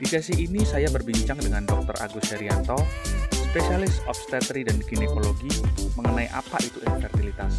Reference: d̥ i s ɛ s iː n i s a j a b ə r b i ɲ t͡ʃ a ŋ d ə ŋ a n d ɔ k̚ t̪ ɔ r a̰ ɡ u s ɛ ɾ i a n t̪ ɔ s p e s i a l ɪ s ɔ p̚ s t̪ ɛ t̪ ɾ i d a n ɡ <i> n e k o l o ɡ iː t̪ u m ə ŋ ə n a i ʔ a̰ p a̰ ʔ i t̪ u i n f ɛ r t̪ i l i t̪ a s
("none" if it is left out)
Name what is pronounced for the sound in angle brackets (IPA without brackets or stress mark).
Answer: i